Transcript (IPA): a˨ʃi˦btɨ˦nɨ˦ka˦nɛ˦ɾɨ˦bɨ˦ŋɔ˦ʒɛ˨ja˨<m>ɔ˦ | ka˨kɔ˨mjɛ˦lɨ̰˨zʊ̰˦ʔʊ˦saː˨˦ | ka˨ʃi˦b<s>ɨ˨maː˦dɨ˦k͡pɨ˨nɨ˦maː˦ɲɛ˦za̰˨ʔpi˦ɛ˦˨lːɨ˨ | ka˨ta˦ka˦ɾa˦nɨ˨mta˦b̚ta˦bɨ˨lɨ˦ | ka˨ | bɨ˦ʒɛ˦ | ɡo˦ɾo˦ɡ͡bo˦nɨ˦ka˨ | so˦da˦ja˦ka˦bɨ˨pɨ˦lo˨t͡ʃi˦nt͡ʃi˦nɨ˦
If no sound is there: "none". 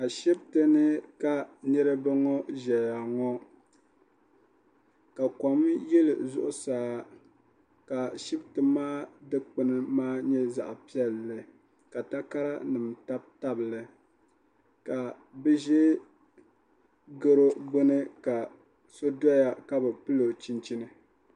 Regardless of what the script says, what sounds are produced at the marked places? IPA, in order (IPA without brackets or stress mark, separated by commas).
ŋ, t